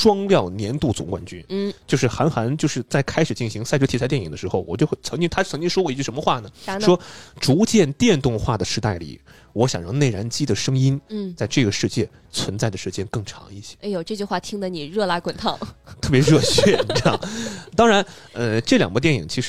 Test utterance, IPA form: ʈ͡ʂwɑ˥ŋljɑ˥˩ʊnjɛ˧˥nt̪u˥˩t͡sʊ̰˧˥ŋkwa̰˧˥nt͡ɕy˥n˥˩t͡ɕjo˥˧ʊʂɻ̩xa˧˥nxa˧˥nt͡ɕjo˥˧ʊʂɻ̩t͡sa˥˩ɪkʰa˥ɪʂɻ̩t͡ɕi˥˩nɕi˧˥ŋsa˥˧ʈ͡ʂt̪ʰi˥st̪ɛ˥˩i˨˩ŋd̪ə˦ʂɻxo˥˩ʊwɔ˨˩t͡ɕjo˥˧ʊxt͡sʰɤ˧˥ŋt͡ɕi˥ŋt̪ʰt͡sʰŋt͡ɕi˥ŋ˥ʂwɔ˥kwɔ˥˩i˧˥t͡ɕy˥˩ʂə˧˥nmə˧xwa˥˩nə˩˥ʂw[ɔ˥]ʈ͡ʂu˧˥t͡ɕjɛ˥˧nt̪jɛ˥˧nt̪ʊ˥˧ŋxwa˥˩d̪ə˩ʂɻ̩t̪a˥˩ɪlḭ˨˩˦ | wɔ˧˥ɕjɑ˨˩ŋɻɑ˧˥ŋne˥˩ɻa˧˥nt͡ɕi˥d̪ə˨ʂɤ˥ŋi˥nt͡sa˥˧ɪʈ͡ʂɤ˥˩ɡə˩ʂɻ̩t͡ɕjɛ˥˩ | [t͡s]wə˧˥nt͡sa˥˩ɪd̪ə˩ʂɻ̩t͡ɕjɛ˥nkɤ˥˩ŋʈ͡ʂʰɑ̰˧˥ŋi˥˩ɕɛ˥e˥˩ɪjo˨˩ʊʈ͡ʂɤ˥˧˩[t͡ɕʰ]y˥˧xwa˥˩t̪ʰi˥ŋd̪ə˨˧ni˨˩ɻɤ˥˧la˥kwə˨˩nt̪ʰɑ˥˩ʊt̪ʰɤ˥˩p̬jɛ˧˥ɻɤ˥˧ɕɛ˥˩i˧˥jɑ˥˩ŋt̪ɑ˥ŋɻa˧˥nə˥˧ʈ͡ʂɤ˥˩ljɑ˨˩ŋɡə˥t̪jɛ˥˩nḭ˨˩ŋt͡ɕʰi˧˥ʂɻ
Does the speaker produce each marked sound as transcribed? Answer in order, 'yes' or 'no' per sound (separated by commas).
yes, no, no